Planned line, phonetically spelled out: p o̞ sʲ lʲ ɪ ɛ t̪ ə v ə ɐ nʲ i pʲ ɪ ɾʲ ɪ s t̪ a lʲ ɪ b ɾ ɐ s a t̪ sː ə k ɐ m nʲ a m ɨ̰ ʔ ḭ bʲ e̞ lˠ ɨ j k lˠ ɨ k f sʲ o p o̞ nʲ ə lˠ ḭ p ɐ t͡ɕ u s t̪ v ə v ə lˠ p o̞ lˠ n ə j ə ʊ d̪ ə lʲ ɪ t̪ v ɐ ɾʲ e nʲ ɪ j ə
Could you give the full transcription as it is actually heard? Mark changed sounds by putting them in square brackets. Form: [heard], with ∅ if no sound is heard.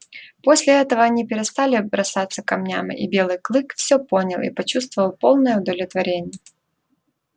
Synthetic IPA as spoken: p o̞ sʲ lʲ ɪ ɛ t̪ ə v ə ɐ nʲ i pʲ ɪ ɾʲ ɪ s t̪ a lʲ ɪ b ɾ ɐ s a t̪ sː ə k ɐ m nʲ a m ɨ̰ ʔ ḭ bʲ e̞ lˠ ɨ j k lˠ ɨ k f sʲ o p o̞ nʲ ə lˠ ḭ p ɐ t͡ɕ u s t̪ v ə v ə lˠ p o̞ lˠ n ə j ə ʊ d̪ ə lʲ ɪ t̪ v ɐ ɾʲ e nʲ ɪ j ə